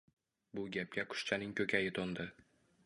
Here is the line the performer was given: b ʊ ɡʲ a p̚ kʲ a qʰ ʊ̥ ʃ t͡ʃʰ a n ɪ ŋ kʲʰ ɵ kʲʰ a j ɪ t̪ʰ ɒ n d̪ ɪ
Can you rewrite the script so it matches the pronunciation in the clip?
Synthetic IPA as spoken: b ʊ ɡʲ a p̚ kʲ a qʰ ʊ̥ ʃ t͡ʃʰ a n ɪ ŋ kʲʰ ɵ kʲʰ a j ɪ t̪ʰ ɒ n d̪ ɪ